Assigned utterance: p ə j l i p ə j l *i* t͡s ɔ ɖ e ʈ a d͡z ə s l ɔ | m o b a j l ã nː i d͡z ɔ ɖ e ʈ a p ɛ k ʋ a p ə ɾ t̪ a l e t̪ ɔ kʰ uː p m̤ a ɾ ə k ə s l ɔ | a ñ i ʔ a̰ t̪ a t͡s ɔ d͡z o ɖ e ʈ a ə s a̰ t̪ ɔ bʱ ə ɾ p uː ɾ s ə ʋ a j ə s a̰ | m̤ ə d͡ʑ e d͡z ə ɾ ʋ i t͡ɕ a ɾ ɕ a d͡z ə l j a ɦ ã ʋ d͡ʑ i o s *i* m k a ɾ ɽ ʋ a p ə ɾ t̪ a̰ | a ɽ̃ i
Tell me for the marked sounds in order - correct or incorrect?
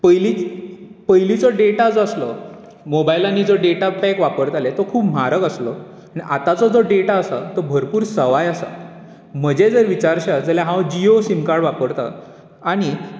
correct, correct

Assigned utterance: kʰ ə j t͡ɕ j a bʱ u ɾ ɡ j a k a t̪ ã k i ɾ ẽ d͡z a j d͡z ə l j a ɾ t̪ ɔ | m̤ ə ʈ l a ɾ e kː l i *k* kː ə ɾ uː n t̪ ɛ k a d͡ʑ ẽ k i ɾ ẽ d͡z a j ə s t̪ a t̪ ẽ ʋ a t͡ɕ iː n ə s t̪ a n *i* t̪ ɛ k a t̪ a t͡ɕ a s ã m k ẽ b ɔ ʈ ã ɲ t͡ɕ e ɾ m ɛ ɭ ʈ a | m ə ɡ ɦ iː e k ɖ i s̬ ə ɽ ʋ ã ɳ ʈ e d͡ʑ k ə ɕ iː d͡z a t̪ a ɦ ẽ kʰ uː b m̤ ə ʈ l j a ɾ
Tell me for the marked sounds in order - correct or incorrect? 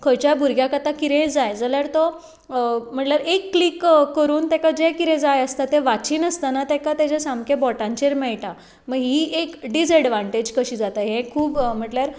correct, incorrect: a

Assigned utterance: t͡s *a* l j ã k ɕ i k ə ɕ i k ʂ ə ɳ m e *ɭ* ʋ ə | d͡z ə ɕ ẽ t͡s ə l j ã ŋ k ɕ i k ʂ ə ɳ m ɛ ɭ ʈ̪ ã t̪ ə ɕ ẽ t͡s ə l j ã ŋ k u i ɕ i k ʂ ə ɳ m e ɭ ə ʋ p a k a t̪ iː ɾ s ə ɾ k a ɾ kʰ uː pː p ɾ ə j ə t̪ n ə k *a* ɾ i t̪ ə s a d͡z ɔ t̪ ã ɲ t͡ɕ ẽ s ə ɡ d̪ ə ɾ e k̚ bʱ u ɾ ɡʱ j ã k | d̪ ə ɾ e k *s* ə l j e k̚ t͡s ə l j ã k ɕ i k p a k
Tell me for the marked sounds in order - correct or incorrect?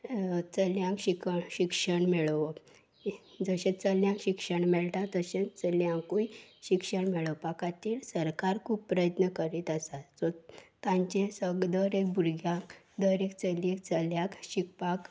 incorrect: ə, correct, incorrect: ə, incorrect: t͡s

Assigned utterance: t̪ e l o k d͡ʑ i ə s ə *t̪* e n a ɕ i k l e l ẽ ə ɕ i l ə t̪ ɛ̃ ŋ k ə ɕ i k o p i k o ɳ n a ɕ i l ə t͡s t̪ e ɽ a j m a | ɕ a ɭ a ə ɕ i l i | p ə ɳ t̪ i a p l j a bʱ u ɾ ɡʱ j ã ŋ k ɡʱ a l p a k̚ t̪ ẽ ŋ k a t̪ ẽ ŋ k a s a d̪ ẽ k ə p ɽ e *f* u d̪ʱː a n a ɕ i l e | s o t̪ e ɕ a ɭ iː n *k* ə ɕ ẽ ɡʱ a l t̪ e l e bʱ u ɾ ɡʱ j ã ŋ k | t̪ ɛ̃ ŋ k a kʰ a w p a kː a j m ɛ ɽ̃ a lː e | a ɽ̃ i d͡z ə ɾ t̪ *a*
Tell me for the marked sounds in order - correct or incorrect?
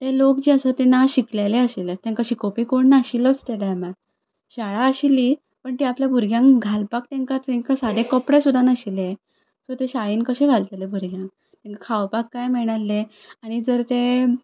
correct, incorrect: s, correct, incorrect: e

